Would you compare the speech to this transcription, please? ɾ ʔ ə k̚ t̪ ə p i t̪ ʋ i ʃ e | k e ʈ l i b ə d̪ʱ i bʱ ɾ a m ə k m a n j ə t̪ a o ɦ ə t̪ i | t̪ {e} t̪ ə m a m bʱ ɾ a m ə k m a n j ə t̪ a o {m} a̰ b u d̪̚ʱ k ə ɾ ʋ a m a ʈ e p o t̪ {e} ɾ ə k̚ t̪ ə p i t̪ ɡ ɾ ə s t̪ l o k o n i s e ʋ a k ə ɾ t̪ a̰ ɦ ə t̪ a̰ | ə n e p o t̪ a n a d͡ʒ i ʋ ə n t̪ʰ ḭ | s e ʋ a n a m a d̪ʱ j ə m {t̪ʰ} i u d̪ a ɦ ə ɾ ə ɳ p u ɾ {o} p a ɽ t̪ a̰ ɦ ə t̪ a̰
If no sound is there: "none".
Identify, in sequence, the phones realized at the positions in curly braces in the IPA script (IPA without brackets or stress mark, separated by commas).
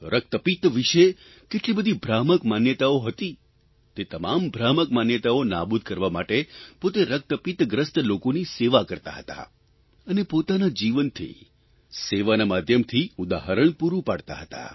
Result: e, n, e, t̪ʰ, u